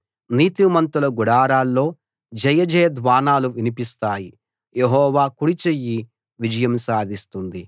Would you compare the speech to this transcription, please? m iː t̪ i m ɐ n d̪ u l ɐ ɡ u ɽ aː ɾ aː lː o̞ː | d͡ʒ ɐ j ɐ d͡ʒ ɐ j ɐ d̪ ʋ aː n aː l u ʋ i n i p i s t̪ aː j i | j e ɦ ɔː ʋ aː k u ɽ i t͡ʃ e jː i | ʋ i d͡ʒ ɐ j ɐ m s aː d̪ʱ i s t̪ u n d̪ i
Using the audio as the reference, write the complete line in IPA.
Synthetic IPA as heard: n iː t̪ i m ɐ n t̪ u l ɐ ɡ u ɽ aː ɾ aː lː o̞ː | d͡ʒ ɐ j ɐ d͡ʒ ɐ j ɐ d̪ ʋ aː n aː l u ʋ i n i p i s t̪ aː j i | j e ɦ ɔː ʋ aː k u ɽ i t͡ʃ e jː i | ʋ i d͡ʒ ɐ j ɐ m s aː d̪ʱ i s t̪ u n d̪ i